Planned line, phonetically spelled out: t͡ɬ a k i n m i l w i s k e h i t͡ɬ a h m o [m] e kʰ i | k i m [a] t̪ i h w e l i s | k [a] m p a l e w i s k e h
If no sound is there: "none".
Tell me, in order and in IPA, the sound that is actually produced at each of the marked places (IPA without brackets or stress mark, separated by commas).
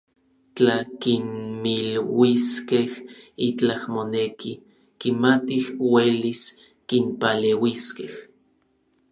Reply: n, a, i